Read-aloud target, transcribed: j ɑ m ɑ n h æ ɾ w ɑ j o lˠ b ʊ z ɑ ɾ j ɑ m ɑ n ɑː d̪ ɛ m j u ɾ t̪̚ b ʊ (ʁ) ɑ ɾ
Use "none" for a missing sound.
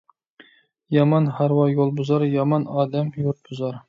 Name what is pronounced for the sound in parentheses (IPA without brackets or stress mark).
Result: z